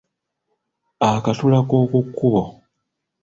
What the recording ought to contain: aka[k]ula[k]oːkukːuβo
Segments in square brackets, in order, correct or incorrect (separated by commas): incorrect, correct